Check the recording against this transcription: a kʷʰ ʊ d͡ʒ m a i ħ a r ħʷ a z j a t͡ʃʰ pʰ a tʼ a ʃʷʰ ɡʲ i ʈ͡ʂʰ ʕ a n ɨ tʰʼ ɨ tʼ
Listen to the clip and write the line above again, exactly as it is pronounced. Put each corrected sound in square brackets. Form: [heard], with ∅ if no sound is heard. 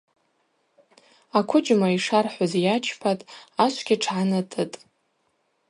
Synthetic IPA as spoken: a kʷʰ ʊ d͡ʒ m a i [ʂ] a r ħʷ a z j a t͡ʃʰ pʰ a tʼ a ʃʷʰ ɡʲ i ʈ͡ʂʰ ʕ a n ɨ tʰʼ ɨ tʼ